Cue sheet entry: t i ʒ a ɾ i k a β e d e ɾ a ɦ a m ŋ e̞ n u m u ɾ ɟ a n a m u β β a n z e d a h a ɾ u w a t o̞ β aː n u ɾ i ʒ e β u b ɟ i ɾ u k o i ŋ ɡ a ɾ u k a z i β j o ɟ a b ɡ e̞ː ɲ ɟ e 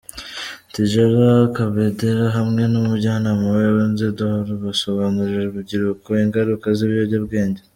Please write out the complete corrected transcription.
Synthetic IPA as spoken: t i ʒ a ɾ a k a β e d e ɾ a ɦ a m ŋ e̞ n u m u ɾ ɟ a n a m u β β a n z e d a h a ɾ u β a s o̞ β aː n u ɾ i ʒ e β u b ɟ i ɾ u k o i ŋ ɡ a ɾ u k a z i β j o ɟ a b ɡ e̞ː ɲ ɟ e